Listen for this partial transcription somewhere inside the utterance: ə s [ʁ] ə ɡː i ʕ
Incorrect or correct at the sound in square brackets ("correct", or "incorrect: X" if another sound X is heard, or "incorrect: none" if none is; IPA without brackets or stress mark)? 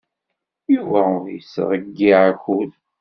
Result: correct